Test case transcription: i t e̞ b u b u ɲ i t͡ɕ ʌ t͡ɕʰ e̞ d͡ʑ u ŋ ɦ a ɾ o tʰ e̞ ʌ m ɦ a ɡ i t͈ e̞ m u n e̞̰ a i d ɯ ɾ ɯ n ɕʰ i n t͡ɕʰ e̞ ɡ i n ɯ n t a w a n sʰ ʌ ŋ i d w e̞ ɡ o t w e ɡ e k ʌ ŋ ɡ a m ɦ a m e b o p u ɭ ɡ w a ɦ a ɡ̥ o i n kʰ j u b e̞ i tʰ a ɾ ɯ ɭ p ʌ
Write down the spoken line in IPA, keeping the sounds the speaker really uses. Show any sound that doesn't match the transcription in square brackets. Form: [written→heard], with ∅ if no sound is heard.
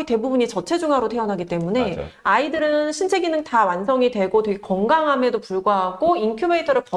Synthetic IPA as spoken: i t e̞ b u b u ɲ i t͡ɕ ʌ t͡ɕʰ e̞ d͡ʑ u ŋ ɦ a ɾ o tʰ e̞ ʌ [m→n] ɦ a ɡ i t͈ e̞ m u n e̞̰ a i d ɯ ɾ ɯ n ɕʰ i n t͡ɕʰ e̞ ɡ i n ɯ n t a w a n sʰ ʌ ŋ i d w e̞ ɡ o t w e ɡ e k ʌ ŋ ɡ a [m→ŋ] ɦ a m e [b→d] o p u ɭ ɡ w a ɦ a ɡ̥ o i n kʰ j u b e̞ i tʰ [a→ʌ] ɾ ɯ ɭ p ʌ